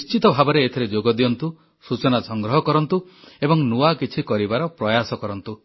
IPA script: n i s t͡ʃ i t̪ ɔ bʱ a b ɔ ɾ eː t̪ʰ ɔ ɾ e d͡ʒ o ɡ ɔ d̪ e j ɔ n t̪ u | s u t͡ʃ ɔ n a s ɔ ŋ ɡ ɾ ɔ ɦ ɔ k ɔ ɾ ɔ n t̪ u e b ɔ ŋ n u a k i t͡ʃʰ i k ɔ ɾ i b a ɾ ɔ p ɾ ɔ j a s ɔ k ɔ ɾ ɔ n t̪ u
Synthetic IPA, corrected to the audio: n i s t͡ʃ i t̪ ɔ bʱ a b ɔ ɾ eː t̪ʰ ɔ ɾ e d͡ʒ o ɡ ɔ d̪ i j ɔ n t̪ u | s u t͡ʃ ɔ n a s ɔ ŋ ɡ ɾ ɔ ɦ ɔ k ɔ ɾ ɔ n t̪ u e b ɔ ŋ n u a k i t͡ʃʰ i k ɔ ɾ i b a ɾ ɔ p ɾ ɔ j a s ɔ k ɔ ɾ ɔ n t̪ u